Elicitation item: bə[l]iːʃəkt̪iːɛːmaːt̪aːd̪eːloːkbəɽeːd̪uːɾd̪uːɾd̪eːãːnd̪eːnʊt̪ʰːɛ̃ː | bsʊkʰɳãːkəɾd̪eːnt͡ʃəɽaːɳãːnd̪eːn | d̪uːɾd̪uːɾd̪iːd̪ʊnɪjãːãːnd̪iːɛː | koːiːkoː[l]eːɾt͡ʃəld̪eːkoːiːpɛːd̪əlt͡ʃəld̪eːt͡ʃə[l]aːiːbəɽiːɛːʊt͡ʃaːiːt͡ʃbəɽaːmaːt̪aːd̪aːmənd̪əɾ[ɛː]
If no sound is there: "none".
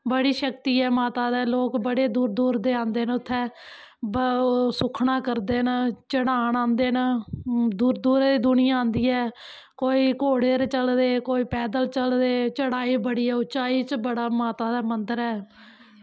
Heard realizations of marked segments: ɽ, ɽ, ɽ, ɛː

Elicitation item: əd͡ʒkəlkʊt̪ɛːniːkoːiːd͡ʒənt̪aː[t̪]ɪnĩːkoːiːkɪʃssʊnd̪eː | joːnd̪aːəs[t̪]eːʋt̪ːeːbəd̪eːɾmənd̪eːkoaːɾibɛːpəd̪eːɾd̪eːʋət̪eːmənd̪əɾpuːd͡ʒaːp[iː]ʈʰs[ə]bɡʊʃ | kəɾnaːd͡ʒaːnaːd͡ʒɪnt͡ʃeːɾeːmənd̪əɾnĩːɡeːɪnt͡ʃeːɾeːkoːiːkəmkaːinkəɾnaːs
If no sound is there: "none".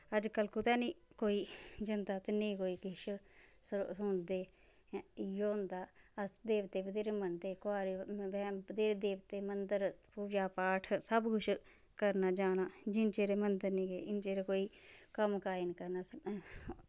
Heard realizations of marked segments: t̪, d̪, aː, ə

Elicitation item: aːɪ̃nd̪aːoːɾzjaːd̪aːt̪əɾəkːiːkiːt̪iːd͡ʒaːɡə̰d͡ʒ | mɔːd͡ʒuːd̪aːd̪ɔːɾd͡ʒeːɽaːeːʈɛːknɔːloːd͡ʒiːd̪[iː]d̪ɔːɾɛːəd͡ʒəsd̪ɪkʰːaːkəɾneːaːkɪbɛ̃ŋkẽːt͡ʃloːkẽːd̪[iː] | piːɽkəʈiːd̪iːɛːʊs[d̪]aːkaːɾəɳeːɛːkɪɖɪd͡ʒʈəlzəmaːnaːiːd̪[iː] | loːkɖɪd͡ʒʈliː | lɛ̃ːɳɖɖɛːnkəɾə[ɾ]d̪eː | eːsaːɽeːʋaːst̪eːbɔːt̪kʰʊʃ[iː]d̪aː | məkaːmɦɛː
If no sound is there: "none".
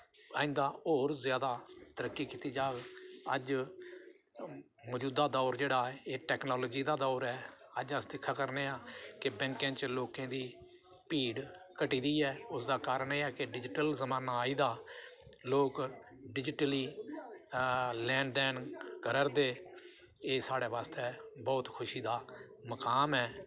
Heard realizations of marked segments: aː, iː, d̪, aː, ɾ, iː

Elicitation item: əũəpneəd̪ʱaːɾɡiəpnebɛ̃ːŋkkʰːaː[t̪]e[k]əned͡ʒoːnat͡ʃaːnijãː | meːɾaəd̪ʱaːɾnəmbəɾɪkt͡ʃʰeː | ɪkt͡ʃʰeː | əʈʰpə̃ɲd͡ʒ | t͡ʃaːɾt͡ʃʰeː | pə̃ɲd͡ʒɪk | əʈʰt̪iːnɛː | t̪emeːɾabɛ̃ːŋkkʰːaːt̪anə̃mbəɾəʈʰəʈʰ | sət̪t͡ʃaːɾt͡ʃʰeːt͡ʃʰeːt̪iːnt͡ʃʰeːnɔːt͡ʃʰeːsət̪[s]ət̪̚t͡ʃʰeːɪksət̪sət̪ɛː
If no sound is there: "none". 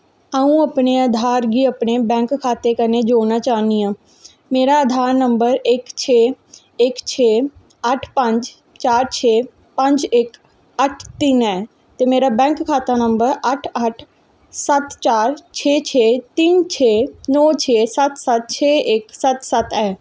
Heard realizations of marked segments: t̪, k, s

